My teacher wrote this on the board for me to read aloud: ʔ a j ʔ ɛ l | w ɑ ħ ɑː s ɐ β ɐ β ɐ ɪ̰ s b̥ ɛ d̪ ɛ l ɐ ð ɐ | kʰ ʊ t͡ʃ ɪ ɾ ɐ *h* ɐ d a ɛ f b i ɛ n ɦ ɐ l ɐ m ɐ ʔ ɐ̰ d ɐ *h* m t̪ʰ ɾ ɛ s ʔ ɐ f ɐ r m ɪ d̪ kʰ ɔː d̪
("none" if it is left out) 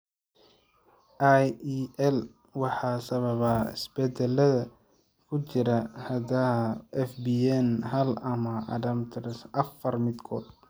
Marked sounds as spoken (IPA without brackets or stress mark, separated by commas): h, none